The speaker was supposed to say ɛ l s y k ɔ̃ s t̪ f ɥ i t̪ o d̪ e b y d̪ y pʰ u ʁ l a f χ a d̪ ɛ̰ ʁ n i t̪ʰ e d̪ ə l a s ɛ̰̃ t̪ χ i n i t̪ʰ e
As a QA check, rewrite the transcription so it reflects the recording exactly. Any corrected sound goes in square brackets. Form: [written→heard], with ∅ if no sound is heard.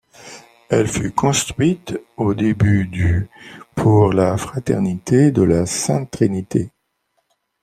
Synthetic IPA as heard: ɛ l [s→f] y k ɔ̃ s t̪ [f→χ] ɥ i t̪ o d̪ e b y d̪ y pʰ u ʁ l a f χ a [d̪→t̪] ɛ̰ ʁ n i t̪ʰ e d̪ ə l a s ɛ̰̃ t̪ χ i n i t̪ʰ e